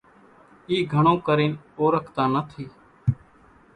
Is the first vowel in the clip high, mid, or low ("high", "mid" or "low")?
high